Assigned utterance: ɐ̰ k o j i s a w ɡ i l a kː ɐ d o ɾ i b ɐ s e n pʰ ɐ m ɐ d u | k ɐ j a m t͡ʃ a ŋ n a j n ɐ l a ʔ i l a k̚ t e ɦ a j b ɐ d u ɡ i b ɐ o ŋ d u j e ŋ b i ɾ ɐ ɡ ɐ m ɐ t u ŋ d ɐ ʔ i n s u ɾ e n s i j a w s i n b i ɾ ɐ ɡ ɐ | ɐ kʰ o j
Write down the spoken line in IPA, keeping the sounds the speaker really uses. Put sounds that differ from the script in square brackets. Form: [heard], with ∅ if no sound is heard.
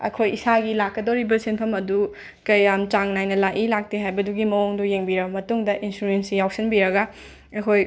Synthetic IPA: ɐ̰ [kʰ] o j i s a [∅] ɡ i l a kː ɐ d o ɾ i b ɐ s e n pʰ ɐ m ɐ d u | k ɐ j a m t͡ʃ a ŋ n a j n ɐ l a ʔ i l a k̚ t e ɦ a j b ɐ d u ɡ i [m] ɐ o ŋ d u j e ŋ b i ɾ ɐ [b] ɐ m ɐ t u ŋ d ɐ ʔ i n s u ɾ e n s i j a w s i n b i ɾ ɐ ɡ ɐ | ɐ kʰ o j

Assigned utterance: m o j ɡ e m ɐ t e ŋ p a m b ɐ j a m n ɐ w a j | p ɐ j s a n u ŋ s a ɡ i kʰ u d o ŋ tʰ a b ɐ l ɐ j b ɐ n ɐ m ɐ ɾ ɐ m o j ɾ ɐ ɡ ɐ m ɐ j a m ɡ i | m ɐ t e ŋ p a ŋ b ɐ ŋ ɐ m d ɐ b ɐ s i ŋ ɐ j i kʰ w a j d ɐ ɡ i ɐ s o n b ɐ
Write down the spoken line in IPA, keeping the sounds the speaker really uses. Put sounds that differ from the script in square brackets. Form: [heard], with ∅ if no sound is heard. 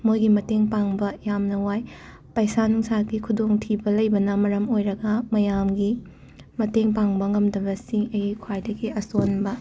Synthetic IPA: m o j ɡ [i] m ɐ t e ŋ p a [ŋ] b ɐ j a m n ɐ w a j | p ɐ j s a n u ŋ s a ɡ i kʰ u d o ŋ tʰ [i] b ɐ l ɐ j b ɐ n ɐ m ɐ ɾ ɐ m o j ɾ ɐ ɡ ɐ m ɐ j a m ɡ i | m ɐ t e ŋ p a ŋ b ɐ ŋ ɐ m d ɐ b ɐ s i ŋ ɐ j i kʰ w a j d ɐ ɡ i ɐ s o n b ɐ

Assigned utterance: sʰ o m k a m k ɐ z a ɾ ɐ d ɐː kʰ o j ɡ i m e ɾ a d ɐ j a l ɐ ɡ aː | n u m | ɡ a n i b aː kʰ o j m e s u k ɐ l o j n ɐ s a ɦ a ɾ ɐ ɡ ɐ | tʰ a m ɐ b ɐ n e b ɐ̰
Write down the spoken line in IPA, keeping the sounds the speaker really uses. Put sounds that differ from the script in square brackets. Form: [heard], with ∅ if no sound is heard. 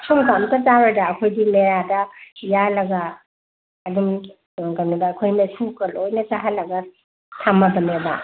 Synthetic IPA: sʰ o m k a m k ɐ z a ɾ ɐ d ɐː kʰ o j [d] i m e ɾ a d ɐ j a l ɐ ɡ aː | [d] u m | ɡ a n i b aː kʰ o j m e s u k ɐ l o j n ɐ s a ɦ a [l] ɐ ɡ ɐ | tʰ a m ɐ b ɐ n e b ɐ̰

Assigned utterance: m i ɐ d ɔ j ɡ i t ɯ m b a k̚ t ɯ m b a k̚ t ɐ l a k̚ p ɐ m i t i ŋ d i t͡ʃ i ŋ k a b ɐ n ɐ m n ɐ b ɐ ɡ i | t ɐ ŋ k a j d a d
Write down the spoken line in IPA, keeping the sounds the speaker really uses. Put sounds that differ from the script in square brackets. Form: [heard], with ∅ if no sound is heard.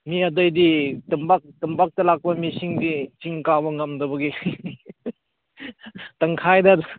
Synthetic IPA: m i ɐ d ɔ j [d] i t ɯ m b a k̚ t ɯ m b a k̚ t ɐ l a k̚ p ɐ m i [s] i ŋ d i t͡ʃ i ŋ k a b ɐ [ŋ] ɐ m [d] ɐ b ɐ ɡ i | t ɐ ŋ [kʰ] a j d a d

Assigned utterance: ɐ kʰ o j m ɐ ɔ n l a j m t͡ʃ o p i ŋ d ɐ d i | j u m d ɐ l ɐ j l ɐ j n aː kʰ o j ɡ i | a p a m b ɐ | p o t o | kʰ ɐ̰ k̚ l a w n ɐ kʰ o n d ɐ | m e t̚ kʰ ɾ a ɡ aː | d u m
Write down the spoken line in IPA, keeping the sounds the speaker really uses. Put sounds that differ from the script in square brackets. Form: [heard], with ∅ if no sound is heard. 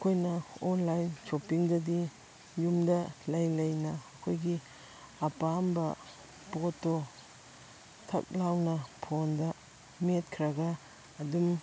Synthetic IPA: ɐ kʰ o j [n] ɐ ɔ n l a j [n] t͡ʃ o p i ŋ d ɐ d i | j u m d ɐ l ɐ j l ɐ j n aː kʰ o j ɡ i | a p a m b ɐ | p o t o | [tʰ] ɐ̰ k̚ l a w n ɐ [pʰ] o n d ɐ | m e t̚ kʰ ɾ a ɡ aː | d u m

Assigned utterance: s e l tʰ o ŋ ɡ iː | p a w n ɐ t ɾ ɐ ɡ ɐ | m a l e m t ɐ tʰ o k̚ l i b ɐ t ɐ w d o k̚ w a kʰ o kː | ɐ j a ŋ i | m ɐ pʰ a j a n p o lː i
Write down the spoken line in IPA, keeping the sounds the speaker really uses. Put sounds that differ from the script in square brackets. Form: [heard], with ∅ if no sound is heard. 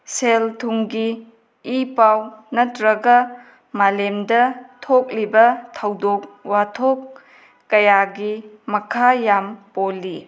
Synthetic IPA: s e l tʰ [u] ŋ ɡ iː | p a w n ɐ t ɾ ɐ ɡ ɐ | m a l e m [d] ɐ tʰ o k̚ l i b ɐ [tʰ] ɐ w d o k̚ w a [tʰ] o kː | ɐ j a [ɡ] i | m ɐ [kʰ] a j a [m] p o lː i

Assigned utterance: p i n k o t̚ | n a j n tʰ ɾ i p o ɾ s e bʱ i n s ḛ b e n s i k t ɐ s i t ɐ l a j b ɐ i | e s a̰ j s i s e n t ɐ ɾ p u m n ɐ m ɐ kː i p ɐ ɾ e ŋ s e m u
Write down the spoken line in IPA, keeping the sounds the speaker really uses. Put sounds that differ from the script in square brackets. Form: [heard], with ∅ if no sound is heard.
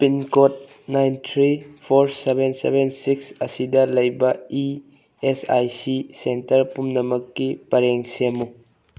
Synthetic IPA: p i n k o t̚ | n a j n tʰ ɾ i [pʰ] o ɾ s e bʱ [e] n s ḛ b e n s i k [s] ɐ s i [d] ɐ l [ɐ] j b ɐ i | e s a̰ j s i s e n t ɐ ɾ p u m n ɐ m ɐ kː i p ɐ ɾ e ŋ s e m u

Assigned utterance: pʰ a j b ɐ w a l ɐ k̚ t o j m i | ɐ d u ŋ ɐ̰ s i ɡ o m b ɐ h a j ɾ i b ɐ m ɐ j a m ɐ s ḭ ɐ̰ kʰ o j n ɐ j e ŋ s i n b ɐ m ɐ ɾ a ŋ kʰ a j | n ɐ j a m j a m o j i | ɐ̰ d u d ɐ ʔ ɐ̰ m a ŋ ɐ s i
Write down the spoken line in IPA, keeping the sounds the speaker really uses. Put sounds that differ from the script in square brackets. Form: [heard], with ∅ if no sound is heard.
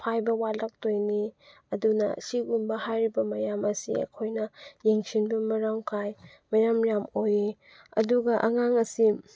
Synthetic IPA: pʰ a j b ɐ w a l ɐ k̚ t o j [n] i | ɐ d u [n] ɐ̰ s i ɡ [u] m b ɐ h a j ɾ i b ɐ m ɐ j a m ɐ s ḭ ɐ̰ kʰ o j n ɐ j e ŋ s i n b ɐ m ɐ ɾ a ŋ kʰ a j | [m] ɐ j a m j a m o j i | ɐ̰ d u [ɡ] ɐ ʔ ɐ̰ [ŋ] a ŋ ɐ s i

